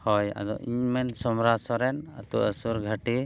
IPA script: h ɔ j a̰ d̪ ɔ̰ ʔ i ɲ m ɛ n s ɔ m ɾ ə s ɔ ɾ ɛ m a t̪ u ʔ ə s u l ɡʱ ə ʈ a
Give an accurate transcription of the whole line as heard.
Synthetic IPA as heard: h ɔ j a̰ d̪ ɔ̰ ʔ i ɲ m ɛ n s ɔ m ɾ a s ɔ ɾ ɛ n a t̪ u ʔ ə s u ɾ ɡʱ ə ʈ i